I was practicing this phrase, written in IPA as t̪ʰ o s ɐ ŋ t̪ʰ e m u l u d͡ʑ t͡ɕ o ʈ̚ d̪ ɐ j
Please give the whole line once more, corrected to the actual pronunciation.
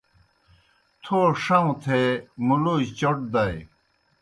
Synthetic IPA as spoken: t̪ʰ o ʂ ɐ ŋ t̪ʰ e m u l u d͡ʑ t͡ɕ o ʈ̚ d̪ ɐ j

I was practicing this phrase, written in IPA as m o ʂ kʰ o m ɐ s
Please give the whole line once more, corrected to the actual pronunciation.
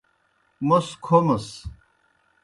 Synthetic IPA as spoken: m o s kʰ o m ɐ s

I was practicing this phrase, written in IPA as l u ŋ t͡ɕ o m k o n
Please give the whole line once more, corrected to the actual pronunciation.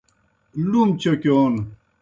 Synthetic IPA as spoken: l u m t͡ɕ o k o n

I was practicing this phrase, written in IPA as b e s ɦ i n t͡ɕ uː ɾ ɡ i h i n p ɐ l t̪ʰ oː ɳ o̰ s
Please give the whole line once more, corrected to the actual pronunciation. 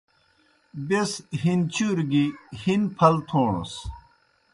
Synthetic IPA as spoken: b e s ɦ i n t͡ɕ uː ɾ ɡ i h i n pʰ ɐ l t̪ʰ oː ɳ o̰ s

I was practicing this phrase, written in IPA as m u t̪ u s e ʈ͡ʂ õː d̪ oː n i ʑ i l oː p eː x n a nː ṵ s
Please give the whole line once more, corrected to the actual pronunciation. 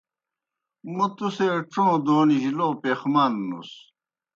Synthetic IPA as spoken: m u t̪ u s e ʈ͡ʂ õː d̪ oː n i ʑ i l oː p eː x m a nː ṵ s

